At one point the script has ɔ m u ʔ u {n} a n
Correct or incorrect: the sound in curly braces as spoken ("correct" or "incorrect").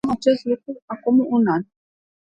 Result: correct